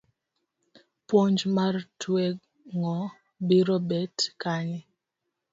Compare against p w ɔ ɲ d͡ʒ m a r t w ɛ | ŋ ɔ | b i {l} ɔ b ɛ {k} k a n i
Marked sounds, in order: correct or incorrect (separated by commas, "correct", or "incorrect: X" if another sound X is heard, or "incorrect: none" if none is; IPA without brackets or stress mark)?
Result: incorrect: ɾ, incorrect: t